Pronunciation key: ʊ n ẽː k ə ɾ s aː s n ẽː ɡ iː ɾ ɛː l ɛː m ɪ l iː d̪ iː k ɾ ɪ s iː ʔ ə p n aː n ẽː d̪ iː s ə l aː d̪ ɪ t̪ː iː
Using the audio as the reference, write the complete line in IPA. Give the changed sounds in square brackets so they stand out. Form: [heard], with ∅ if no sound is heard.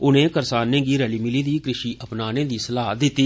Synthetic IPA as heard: ʊ n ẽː k ə ɾ s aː [∅] n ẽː ɡ iː ɾ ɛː l [iː] m ɪ l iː d̪ iː k ɾ ɪ [ʃ] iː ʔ ə p n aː n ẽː d̪ iː s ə l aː d̪ ɪ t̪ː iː